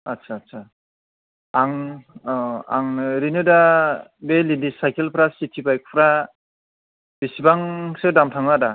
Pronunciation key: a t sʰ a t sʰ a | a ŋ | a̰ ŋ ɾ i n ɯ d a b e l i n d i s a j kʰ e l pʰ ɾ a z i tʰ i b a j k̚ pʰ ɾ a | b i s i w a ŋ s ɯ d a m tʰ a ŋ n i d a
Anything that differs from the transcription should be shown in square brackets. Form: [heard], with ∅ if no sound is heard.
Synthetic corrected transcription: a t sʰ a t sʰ a | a ŋ | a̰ ŋ ɾ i n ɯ d a b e l i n d i s a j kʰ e l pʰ ɾ a [s] i tʰ i b a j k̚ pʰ ɾ a | b i s i [b] a ŋ s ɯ d a m tʰ a ŋ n [a] d a